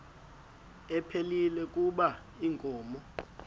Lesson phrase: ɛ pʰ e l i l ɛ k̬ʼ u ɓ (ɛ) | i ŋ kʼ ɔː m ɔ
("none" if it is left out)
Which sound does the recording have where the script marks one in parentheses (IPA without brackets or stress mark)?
a